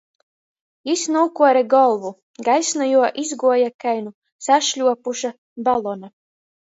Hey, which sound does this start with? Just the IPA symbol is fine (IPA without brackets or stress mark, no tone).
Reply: i